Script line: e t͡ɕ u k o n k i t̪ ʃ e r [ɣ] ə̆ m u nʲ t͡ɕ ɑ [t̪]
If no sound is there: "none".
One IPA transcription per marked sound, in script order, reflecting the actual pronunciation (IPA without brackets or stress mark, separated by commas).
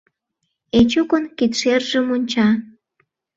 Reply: ʒ, none